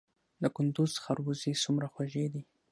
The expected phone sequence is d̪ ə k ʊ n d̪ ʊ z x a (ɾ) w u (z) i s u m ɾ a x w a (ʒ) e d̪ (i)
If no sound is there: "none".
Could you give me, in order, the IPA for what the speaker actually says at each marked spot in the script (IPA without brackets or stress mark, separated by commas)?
ɾ, z, ʒ, i